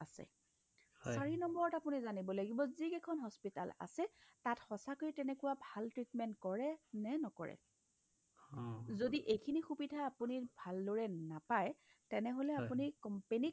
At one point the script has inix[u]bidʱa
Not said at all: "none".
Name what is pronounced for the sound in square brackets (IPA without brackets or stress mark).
u